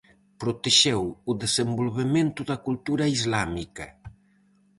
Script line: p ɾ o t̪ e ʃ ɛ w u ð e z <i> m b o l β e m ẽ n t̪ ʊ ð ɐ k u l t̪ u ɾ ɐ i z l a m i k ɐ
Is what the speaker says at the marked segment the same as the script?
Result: no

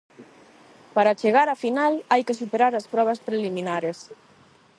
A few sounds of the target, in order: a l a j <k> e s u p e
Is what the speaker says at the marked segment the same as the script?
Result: yes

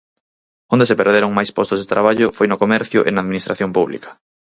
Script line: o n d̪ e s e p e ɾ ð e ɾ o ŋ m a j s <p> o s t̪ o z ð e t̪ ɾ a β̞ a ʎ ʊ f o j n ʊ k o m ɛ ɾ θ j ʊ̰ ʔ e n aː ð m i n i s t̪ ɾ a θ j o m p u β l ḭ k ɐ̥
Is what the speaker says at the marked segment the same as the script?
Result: yes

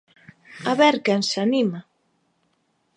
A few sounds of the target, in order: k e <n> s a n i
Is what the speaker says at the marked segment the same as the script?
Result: yes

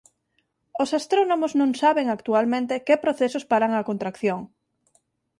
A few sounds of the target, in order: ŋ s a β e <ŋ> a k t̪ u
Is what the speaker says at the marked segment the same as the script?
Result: yes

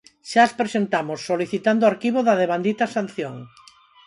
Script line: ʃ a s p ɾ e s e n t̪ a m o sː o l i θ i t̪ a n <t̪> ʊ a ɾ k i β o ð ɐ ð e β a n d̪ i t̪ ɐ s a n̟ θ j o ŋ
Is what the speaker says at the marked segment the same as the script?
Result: no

